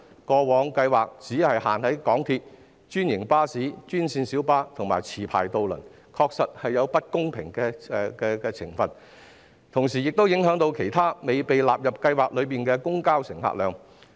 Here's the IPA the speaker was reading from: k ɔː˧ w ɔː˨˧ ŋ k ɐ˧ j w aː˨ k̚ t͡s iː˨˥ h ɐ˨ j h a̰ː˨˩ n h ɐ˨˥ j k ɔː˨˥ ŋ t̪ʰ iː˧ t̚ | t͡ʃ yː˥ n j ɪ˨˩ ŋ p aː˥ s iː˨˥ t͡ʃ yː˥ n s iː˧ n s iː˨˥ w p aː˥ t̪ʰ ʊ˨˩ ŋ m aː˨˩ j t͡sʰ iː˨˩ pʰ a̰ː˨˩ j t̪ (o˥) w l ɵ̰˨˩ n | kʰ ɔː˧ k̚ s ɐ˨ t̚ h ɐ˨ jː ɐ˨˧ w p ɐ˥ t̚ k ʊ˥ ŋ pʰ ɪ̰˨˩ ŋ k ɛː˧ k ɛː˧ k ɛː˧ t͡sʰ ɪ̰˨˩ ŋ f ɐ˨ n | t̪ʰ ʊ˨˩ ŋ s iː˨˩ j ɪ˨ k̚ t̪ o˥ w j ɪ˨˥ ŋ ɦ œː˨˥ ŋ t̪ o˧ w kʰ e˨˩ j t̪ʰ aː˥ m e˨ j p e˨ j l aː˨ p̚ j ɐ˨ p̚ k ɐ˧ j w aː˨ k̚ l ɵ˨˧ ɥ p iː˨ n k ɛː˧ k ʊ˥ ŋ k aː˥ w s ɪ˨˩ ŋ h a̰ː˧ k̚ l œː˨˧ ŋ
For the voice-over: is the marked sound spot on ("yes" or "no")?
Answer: no